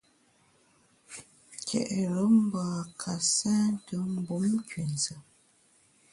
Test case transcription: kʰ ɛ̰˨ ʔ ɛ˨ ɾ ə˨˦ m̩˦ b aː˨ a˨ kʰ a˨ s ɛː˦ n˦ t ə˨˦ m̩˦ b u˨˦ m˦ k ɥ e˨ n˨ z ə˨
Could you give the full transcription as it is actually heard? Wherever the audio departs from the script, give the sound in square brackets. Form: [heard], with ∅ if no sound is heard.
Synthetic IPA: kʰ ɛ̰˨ ʔ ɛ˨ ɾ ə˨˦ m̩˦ b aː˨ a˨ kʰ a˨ s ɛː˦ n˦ t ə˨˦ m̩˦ b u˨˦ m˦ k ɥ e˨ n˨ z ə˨